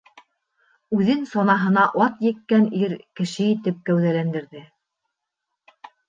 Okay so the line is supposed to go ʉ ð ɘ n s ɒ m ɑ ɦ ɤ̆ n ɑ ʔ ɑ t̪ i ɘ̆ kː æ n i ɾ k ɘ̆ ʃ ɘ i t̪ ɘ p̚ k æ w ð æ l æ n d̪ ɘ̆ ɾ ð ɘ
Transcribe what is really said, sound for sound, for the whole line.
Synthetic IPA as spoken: ʉ ð ɘ n s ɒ n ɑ ɦ ɤ̆ n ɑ ʔ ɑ t̪ j ɘ̆ kː æ n i ɾ k ɘ̆ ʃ ɘ i t̪ ɘ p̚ k æ w ð æ l æ n d̪ ɘ̆ ɾ ð ɘ